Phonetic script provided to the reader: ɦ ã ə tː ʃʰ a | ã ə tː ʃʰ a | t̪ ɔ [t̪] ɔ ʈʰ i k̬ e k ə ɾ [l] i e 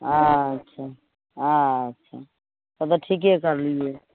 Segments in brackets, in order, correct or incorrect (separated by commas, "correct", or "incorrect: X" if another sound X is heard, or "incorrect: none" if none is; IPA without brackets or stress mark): correct, correct